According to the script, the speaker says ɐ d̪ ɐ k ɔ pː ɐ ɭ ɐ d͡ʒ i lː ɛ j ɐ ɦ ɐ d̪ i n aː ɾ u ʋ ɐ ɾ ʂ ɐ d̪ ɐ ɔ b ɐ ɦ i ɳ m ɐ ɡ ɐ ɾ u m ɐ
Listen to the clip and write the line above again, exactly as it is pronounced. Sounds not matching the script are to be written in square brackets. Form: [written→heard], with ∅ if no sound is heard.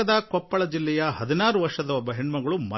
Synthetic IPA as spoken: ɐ d̪ ɐ k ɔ pː ɐ ɭ ɐ d͡ʒ i lː ɛ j ɐ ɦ ɐ d̪ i n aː ɾ u ʋ ɐ ɾ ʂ ɐ d̪ ɐ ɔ b ɐ ɦ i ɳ m ɐ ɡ ɐ [ɾ→ɭ] u m ɐ

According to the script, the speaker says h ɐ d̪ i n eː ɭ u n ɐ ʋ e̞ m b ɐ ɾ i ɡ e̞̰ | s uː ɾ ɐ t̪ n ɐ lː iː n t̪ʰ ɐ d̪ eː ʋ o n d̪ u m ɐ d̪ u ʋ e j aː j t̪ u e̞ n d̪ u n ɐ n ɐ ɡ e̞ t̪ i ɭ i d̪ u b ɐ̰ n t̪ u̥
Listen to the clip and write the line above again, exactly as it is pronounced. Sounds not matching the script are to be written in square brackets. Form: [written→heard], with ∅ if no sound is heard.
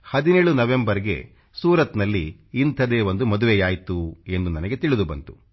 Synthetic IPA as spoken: h ɐ d̪ i n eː ɭ u n ɐ ʋ e̞ m b ɐ ɾ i ɡ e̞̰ | s uː ɾ ɐ t̪ n ɐ lː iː n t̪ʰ ɐ d̪ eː ʋ o n d̪ u m ɐ d̪ u ʋ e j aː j t̪ u e̞ n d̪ u n ɐ n ɐ ɡ e̞ t̪ i ɭ i d̪ u b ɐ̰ n t̪ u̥

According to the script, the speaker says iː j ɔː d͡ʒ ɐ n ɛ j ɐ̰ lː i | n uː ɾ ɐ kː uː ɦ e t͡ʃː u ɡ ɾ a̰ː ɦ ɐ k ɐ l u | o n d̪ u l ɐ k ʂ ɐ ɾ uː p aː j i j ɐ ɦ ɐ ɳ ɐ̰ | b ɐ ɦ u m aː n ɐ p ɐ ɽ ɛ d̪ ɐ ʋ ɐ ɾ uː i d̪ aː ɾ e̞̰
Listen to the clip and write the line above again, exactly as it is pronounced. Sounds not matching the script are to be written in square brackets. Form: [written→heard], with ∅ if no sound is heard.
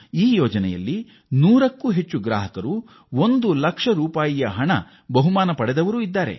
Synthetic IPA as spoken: iː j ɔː d͡ʒ ɐ n ɛ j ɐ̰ lː i | n uː ɾ ɐ kː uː ɦ e t͡ʃː u ɡ ɾ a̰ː ɦ ɐ k ɐ [l→ɾ] u | o n d̪ u l ɐ k ʂ ɐ ɾ uː p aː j i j ɐ ɦ ɐ ɳ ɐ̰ | b ɐ ɦ u m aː n ɐ p ɐ ɽ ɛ d̪ ɐ ʋ ɐ ɾ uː i [d̪→d̪ː] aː ɾ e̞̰

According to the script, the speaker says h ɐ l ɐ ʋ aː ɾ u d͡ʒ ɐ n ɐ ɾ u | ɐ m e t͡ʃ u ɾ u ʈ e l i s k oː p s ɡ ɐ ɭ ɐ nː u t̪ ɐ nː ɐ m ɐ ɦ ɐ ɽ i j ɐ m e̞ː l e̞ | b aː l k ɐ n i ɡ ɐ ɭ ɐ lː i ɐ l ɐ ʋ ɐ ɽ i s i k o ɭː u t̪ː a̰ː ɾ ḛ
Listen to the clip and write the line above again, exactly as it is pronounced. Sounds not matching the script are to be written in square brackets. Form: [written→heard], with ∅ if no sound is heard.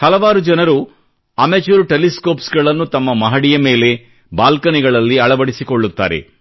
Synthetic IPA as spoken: h ɐ l ɐ ʋ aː ɾ u d͡ʒ ɐ n ɐ ɾ u | ɐ m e t͡ʃ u ɾ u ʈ e l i s k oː p s ɡ ɐ ɭ ɐ nː u t̪ ɐ [nː→mː] ɐ m ɐ ɦ ɐ ɽ i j ɐ m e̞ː l e̞ | b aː l k ɐ n i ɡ ɐ ɭ ɐ lː i ɐ [l→ɭ] ɐ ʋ ɐ ɽ i s i k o ɭː u t̪ː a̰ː ɾ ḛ

